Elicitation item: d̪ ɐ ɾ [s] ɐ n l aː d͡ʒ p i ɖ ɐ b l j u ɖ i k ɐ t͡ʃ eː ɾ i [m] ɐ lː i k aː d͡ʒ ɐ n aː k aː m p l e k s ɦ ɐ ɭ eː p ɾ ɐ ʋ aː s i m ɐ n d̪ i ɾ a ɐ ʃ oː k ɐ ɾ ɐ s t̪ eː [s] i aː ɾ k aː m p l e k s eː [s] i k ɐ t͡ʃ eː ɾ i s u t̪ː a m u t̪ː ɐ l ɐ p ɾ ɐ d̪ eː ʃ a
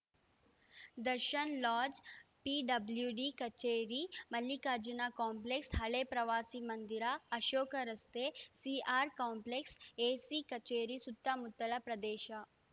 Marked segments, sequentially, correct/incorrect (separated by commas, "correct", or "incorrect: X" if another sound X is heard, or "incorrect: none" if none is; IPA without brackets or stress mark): incorrect: ʃ, correct, correct, correct